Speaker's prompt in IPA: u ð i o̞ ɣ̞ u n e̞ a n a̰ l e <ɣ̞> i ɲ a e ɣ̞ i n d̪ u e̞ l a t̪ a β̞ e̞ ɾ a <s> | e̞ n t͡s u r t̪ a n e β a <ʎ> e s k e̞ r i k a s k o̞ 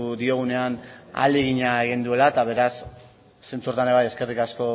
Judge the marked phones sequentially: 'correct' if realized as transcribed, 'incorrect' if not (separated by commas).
correct, incorrect, incorrect